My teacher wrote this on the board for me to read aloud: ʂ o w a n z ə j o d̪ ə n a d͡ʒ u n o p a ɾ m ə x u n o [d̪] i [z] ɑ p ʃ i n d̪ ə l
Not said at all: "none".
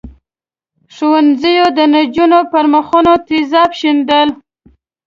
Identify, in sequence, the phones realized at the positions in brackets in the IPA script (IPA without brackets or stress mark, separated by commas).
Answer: t̪, z